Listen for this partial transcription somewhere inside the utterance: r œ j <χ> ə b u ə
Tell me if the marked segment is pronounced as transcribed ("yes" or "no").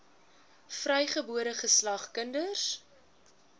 yes